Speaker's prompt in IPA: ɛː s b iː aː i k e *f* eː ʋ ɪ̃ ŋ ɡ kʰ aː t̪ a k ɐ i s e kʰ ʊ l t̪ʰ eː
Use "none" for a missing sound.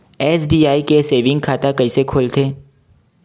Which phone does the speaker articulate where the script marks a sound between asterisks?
s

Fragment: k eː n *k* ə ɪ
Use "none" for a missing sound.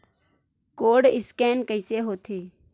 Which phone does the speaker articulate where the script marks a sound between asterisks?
k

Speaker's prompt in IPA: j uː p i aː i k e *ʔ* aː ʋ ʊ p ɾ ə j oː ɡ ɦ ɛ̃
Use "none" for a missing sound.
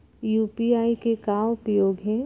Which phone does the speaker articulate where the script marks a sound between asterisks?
k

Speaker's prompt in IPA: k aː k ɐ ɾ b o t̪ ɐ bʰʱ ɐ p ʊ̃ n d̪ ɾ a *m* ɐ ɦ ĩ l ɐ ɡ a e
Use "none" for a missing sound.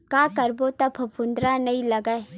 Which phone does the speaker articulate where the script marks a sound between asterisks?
n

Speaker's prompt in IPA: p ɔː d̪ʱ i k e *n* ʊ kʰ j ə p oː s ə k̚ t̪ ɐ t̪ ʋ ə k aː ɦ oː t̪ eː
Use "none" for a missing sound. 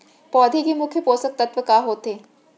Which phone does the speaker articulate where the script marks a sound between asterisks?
m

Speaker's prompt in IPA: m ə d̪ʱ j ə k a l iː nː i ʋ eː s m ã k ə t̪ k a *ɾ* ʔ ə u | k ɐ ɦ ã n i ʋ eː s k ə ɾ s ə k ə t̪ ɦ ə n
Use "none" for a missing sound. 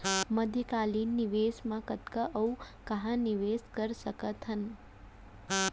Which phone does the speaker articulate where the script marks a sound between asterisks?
none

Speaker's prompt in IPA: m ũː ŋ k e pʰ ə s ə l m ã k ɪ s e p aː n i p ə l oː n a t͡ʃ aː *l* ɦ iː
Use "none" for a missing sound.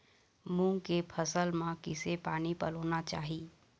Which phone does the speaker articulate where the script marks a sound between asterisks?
none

